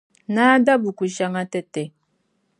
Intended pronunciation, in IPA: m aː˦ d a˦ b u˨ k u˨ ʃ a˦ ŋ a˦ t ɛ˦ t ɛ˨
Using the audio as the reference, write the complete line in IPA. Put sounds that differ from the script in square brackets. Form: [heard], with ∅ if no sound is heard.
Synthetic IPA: [n] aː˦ d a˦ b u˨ k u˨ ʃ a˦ ŋ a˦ t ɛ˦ t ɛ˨